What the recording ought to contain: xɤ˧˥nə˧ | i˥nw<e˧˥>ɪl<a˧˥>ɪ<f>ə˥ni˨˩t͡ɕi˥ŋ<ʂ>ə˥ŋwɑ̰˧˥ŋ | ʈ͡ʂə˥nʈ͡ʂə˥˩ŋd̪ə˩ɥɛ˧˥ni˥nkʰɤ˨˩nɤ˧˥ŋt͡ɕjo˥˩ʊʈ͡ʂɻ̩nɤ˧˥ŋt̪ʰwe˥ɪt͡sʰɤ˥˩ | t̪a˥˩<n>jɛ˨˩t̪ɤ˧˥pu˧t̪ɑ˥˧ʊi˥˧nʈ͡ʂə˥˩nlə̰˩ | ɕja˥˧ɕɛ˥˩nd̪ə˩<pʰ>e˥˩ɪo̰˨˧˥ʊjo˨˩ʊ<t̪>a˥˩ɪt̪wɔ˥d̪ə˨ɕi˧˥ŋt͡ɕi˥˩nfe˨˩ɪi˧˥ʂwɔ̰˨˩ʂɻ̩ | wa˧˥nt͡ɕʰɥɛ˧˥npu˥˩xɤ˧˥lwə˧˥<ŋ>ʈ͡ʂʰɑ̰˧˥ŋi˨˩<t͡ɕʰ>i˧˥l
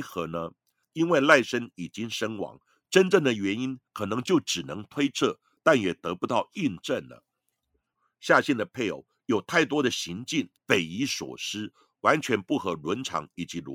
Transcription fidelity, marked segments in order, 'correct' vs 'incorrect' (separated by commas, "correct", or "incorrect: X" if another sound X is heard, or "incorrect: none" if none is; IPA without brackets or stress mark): incorrect: e˥˧, incorrect: a˥˩, incorrect: ʂ, correct, correct, correct, incorrect: t̪ʰ, incorrect: n, incorrect: t͡ɕ